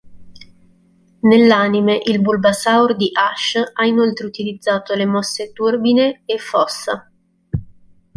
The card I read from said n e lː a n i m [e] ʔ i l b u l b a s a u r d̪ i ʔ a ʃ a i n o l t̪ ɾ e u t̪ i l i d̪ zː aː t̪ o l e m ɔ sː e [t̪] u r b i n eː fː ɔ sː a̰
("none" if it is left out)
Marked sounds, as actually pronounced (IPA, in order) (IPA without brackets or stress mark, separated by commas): e, t̪